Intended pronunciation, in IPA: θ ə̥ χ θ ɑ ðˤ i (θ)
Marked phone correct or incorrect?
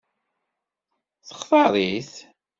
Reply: correct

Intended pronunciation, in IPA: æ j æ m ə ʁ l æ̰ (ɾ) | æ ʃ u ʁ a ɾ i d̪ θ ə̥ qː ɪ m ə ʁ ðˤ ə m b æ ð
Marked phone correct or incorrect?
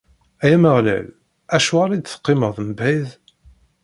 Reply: incorrect: l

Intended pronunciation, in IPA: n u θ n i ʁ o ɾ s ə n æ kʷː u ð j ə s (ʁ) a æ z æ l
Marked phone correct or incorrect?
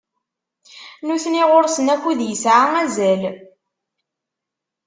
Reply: incorrect: ʕ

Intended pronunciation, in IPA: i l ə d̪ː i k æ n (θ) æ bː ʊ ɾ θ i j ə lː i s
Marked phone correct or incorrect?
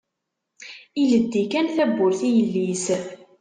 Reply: correct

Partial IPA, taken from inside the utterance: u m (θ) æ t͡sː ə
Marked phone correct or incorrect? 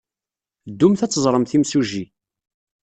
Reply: correct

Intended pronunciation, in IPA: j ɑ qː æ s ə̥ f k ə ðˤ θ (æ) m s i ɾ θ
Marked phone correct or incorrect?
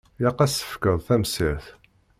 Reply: correct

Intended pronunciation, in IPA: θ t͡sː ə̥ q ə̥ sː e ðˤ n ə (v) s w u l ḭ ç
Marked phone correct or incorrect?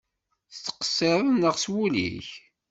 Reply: incorrect: ʁ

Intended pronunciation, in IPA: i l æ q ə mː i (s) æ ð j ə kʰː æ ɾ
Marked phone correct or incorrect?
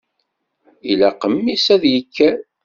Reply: correct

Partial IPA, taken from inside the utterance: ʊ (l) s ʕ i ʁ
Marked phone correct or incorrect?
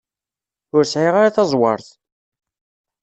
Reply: incorrect: ɾ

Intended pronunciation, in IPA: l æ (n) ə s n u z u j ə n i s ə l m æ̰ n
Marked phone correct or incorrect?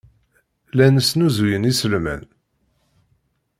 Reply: correct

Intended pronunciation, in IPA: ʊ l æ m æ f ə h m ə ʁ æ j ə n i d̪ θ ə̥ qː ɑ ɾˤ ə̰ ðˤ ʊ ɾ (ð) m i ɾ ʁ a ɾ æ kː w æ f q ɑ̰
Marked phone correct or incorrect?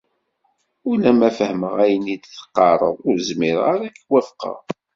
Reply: incorrect: z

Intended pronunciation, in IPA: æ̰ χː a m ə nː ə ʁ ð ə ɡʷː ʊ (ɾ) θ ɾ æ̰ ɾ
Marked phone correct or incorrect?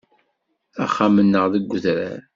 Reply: incorrect: none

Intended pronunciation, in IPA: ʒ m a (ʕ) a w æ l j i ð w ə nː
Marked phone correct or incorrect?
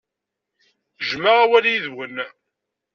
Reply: incorrect: ʁ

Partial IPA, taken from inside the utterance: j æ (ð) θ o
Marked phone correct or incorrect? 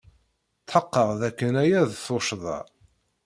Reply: correct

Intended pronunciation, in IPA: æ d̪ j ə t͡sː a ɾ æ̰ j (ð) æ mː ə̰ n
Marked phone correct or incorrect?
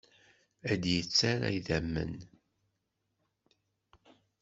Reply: correct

